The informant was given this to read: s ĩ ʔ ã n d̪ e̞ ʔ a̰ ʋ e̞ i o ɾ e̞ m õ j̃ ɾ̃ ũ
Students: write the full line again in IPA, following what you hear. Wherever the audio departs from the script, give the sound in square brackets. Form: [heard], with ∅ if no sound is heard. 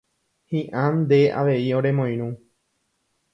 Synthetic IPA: [h] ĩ ʔ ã n d̪ e̞ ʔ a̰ ʋ e̞ i o ɾ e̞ m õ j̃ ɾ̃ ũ